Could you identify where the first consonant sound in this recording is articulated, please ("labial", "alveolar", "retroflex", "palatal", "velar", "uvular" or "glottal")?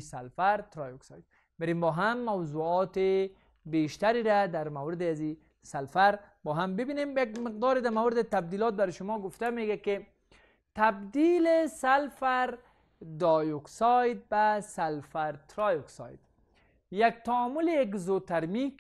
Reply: alveolar